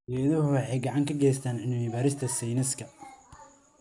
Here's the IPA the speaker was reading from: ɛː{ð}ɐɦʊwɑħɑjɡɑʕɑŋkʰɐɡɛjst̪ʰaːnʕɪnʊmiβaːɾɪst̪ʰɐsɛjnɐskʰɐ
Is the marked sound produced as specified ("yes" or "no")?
yes